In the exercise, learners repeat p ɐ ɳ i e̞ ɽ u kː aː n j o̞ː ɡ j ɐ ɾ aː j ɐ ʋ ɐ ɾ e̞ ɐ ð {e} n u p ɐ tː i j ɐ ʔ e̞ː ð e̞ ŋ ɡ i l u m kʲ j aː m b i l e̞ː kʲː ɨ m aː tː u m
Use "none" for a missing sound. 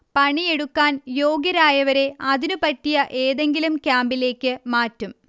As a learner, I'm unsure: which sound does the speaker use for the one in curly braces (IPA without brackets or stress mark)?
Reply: i